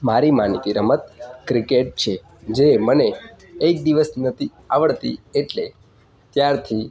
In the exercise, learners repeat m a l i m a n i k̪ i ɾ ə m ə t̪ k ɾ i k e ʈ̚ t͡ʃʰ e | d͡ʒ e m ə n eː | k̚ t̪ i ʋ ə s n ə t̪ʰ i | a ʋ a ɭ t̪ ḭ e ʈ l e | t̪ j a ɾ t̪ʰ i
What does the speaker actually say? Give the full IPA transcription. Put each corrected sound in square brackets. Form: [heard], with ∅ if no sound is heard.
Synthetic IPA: m a [ɾ] i m a n i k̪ i ɾ ə m ə t̪ k ɾ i k e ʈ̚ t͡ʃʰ e | d͡ʒ e m ə n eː | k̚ [d̪] i ʋ ə s n ə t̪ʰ i | a ʋ [ə] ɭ t̪ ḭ e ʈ l e | t̪ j a ɾ t̪ʰ i

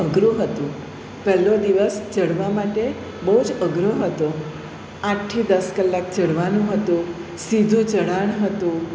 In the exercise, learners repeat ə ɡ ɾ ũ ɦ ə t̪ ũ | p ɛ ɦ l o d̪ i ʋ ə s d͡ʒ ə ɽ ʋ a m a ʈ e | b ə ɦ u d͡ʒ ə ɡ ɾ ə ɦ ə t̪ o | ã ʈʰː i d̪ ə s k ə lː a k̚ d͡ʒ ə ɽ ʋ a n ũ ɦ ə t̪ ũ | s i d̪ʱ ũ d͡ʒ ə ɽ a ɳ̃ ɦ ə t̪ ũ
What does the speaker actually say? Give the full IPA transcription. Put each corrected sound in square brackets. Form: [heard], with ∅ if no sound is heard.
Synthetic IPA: ə ɡ ɾ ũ ɦ ə t̪ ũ | p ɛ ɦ l o d̪ i ʋ ə s d͡ʒ ə ɽ ʋ a m a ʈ e | b ə ɦ u d͡ʒ ə ɡ ɾ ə ɦ ə t̪ o | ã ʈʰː i d̪ ə s k ə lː a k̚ d͡ʒ ə ɽ ʋ a n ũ ɦ ə t̪ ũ | s i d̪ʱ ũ d͡ʒ ə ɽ a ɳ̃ ɦ ə t̪ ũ

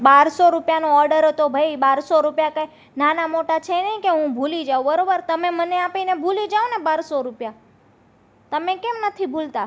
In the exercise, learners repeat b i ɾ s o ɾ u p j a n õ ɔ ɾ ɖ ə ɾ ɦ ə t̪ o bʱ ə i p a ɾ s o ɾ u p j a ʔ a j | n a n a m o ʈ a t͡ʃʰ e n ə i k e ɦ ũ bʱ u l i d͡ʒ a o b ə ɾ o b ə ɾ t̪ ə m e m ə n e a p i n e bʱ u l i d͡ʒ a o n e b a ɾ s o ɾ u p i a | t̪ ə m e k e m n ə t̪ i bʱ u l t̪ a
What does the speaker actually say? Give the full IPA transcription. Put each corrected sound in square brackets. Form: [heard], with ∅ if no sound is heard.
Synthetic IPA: b [a] ɾ s o ɾ u p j a n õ ɔ ɾ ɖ ə ɾ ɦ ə t̪ o bʱ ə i [b] a ɾ s o ɾ u p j a [k] a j | n a n a m o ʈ a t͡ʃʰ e n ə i k e ɦ ũ bʱ u l i d͡ʒ a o b ə ɾ o b ə ɾ t̪ ə m e m ə n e a p i n e bʱ u l i d͡ʒ a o n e b a ɾ s o ɾ u p [j] a | t̪ ə m e k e m n ə [t̪ʰ] i bʱ u l t̪ a

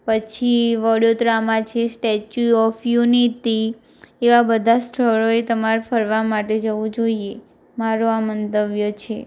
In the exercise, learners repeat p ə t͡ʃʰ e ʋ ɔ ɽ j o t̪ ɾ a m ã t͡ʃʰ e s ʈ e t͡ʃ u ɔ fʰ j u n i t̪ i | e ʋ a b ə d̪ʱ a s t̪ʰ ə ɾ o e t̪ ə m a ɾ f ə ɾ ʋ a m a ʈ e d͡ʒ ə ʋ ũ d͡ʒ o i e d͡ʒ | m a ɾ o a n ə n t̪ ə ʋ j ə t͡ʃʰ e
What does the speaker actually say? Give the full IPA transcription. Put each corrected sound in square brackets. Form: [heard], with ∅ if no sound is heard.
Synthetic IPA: p ə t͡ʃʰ [i] ʋ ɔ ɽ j o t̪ ɾ a m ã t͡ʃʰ e s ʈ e t͡ʃ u ɔ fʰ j u n i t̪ i | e ʋ a b ə d̪ʱ a s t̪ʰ ə [ɭ] o e t̪ ə m a ɾ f ə ɾ ʋ a m a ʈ e d͡ʒ ə ʋ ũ d͡ʒ o i e [∅] | m a ɾ o a [m] ə n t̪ ə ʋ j ə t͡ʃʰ e

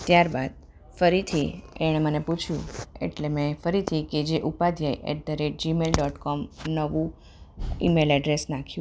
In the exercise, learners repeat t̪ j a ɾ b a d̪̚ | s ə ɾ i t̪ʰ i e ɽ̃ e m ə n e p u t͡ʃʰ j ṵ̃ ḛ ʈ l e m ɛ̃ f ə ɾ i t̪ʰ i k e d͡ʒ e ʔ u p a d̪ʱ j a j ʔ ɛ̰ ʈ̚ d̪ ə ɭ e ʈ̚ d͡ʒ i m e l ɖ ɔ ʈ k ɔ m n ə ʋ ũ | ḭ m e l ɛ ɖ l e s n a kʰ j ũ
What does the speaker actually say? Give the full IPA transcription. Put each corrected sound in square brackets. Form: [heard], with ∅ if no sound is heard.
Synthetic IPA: t̪ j a ɾ b a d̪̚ | [f] ə ɾ i t̪ʰ i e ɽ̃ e m ə n e p u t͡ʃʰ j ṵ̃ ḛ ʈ l e m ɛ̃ f ə ɾ i t̪ʰ i k e d͡ʒ e ʔ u p a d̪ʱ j a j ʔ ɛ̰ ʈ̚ d̪ ə [ɾ] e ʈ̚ d͡ʒ i m e l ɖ ɔ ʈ k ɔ m n ə ʋ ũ | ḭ m e l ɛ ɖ [ɾ] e s n a kʰ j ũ

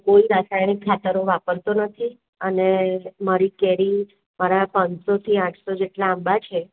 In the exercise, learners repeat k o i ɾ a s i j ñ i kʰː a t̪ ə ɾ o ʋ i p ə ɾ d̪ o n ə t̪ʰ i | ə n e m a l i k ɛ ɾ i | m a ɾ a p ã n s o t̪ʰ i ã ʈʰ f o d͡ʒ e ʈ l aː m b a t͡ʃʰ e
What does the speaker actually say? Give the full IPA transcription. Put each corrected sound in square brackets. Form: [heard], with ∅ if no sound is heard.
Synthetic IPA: k o i ɾ a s [a] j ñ i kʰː a t̪ ə ɾ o ʋ [a] p ə ɾ [t̪] o n ə t̪ʰ i | ə n e m a [ɾ] i k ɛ ɾ i | m a ɾ a p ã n s o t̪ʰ i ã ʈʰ [s] o d͡ʒ e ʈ l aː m b a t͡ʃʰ e

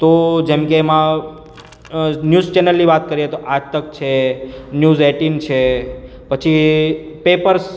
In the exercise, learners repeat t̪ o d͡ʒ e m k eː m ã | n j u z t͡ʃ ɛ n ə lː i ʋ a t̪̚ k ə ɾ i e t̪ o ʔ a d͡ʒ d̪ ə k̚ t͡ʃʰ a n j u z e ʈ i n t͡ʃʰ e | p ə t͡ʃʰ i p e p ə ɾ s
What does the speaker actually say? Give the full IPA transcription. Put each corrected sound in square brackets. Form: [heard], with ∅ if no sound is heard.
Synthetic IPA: t̪ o d͡ʒ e m k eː m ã | n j u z t͡ʃ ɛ n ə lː i ʋ a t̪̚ k ə ɾ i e t̪ o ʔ a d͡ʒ [t̪] ə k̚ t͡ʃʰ [e] n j u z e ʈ i n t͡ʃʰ e | p ə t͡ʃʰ i p e p ə ɾ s

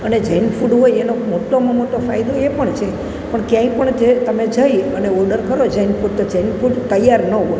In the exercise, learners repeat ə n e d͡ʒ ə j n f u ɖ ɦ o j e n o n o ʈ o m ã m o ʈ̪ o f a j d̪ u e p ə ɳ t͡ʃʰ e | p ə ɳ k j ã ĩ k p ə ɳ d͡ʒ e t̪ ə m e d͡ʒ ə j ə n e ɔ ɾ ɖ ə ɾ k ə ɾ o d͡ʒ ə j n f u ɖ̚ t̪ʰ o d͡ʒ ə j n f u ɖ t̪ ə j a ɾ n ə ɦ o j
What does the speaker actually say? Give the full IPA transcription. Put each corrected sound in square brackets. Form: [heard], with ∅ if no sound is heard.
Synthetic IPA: ə n e d͡ʒ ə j n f u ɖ ɦ o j e n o [m] o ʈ o m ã m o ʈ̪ o f a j d̪ [o] e p ə ɳ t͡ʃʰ e | p ə ɳ k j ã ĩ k p ə ɳ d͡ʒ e t̪ ə m e d͡ʒ ə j ə n e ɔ ɾ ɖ ə ɾ k ə ɾ o d͡ʒ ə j n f u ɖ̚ [t̪] o d͡ʒ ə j n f u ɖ t̪ ə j a ɾ n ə ɦ o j

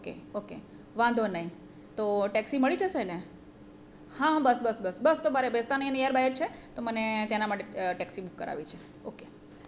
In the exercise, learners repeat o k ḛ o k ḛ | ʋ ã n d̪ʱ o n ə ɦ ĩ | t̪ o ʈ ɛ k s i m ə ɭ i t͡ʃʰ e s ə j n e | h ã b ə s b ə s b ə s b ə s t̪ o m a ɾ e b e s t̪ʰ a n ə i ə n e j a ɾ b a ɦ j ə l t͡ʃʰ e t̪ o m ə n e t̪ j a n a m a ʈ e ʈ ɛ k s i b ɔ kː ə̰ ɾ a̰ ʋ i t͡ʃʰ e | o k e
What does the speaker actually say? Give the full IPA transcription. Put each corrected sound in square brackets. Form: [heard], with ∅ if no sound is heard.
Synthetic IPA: o k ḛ o k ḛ | ʋ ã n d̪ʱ o n ə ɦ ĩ | t̪ o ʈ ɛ k s i m ə ɭ i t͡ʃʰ e s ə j n e | h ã b ə s b ə s b ə s b ə s t̪ o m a ɾ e b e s [t̪] a n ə i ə n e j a ɾ b a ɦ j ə [ɾ] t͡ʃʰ e t̪ o m ə n e t̪ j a n a m a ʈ e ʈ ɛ k s i b [u] kː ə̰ ɾ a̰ ʋ i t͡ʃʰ e | o k e

